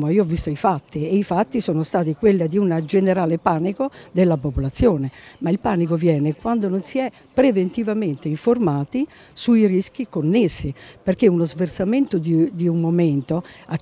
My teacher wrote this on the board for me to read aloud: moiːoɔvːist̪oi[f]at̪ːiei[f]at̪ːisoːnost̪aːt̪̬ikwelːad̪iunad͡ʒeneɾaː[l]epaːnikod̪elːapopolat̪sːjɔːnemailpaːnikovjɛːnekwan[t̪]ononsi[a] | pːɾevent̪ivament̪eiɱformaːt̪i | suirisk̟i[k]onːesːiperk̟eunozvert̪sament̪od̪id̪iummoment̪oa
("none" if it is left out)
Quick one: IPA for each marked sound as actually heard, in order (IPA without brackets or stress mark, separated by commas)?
f, f, l, d̪, ɛ, k